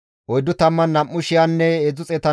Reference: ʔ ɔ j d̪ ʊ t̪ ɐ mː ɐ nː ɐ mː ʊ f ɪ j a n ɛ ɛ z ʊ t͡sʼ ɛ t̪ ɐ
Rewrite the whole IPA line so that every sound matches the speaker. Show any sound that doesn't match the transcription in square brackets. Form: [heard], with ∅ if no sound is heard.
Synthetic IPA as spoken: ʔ ɔ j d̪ ʊ t̪ ɐ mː ɐ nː ɐ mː ʊ [ʃ] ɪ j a [nː] ɛ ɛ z ʊ t͡sʼ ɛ t̪ ɐ